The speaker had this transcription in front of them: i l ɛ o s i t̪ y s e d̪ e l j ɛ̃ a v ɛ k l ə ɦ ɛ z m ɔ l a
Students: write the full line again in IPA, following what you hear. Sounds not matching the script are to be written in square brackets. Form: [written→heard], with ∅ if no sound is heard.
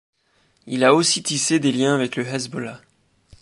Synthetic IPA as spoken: i l [ɛ→a] o s i t̪ [y→i] s e d̪ e l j ɛ̃ a v ɛ k l ə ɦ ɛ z [m→b] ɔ l a